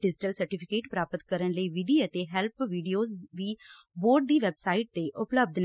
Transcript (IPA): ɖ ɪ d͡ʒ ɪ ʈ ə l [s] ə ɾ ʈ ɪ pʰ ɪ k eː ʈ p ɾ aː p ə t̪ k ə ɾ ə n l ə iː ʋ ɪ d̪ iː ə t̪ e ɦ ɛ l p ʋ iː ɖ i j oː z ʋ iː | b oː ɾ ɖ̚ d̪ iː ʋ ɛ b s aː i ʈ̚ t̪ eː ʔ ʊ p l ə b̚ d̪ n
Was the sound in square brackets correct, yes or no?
yes